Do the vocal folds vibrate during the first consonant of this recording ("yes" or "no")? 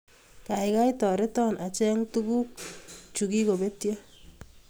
no